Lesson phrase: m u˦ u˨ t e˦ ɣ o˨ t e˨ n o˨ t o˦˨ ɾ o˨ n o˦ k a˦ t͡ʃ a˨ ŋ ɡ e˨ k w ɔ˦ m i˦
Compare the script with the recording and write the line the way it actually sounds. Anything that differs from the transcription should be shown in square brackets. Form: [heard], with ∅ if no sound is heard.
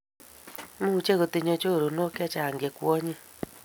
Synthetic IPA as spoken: m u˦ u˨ [t͡ʃ] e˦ ɣ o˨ t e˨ [ɲ] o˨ [t͡ʃ] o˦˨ ɾ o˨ n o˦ k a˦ t͡ʃ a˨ ŋ ɡ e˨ k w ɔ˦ [ɲ] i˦